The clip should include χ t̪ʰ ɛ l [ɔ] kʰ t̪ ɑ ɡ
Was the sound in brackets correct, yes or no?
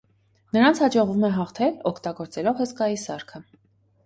yes